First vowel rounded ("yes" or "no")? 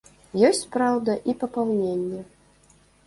yes